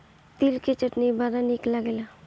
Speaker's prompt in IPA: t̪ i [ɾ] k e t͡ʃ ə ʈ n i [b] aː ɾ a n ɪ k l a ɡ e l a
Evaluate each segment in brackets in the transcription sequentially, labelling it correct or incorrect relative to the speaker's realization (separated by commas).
incorrect, correct